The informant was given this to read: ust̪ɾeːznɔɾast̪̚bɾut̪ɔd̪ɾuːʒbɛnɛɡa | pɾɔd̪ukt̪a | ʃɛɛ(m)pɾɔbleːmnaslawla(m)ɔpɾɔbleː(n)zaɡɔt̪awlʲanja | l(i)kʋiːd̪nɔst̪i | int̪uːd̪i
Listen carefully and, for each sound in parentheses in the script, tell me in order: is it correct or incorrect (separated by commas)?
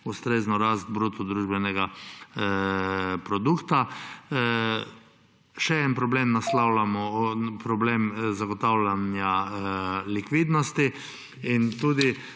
incorrect, correct, incorrect, correct